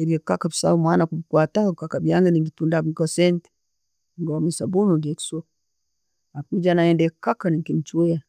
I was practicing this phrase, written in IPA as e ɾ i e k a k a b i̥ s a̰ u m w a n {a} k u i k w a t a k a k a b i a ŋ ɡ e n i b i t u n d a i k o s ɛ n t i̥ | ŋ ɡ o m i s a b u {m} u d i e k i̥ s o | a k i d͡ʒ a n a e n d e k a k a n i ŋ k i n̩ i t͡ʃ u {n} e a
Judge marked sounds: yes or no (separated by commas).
yes, no, no